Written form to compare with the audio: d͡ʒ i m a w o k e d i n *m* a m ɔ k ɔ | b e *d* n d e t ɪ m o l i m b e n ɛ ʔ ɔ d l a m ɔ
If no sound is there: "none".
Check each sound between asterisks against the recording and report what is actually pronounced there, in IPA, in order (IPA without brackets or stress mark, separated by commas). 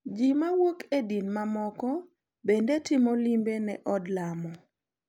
m, none